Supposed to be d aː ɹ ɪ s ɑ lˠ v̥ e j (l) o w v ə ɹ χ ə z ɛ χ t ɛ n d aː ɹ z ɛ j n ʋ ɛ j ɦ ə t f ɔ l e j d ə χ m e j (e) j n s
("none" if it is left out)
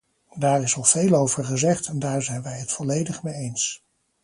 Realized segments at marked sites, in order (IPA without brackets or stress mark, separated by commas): l, e